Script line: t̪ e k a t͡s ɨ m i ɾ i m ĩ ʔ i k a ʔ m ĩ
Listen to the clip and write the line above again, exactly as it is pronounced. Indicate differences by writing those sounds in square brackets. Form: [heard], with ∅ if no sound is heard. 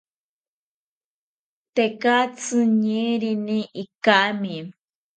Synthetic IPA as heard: t̪ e k a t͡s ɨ [ɲ] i ɾ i [n] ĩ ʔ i k a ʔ m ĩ